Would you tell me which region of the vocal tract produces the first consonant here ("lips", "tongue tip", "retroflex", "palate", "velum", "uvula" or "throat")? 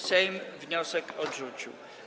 tongue tip